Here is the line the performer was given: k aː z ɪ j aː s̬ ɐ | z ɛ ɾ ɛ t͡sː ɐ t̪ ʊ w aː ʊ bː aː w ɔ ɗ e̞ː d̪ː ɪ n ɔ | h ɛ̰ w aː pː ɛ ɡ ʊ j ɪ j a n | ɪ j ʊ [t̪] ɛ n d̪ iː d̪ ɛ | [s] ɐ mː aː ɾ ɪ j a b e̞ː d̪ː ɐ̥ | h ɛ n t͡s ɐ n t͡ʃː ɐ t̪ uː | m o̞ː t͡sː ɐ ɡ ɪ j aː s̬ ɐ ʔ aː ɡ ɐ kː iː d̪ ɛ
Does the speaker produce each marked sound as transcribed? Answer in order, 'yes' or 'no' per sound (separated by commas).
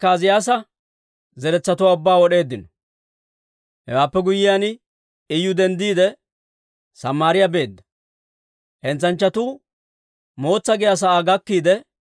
no, yes